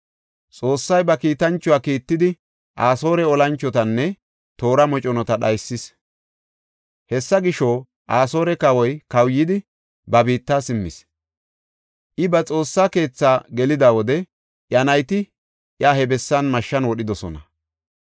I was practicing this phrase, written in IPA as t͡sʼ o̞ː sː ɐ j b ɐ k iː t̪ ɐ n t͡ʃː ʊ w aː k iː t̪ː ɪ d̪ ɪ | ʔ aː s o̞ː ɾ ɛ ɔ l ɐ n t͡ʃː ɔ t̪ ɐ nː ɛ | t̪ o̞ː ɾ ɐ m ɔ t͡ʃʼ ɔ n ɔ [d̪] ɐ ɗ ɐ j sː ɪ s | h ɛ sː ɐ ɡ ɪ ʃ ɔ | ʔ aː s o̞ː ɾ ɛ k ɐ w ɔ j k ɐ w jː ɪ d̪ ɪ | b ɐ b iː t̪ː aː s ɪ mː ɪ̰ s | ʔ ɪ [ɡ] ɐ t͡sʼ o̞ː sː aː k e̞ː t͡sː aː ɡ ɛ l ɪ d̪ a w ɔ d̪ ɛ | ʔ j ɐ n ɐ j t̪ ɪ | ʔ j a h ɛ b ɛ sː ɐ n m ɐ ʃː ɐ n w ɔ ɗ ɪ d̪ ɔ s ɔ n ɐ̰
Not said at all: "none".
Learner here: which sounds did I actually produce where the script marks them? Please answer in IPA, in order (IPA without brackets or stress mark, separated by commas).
t̪, b